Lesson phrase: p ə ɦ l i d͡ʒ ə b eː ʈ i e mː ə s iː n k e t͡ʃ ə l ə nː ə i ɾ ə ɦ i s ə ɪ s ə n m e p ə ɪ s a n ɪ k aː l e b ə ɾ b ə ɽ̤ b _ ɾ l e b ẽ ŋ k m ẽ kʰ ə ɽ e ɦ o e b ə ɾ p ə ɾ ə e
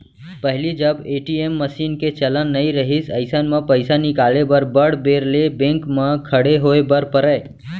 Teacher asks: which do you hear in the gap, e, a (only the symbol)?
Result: e